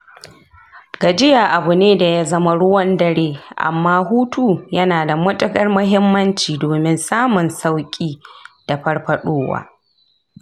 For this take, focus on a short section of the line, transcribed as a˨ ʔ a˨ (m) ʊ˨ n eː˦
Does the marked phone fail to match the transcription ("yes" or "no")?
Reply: yes